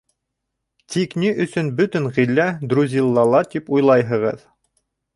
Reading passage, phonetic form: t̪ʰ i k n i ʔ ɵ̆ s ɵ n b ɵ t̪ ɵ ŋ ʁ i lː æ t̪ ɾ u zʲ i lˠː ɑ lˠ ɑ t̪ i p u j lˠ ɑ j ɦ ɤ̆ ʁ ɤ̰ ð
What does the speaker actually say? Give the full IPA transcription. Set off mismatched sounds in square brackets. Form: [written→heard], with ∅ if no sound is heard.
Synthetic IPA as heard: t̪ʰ i k n i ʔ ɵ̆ s ɵ n b ɵ t̪ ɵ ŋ ʁ i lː æ [t̪→d̪] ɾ u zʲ i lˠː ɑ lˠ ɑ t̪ i p u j lˠ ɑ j ɦ ɤ̆ ʁ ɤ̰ ð